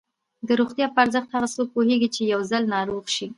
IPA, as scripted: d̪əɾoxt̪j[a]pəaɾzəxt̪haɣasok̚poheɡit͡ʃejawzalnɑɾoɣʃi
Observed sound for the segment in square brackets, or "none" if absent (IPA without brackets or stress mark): ɑ